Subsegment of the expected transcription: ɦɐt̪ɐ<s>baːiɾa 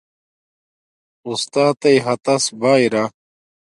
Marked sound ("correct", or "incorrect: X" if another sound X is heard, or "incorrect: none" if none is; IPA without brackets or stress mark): correct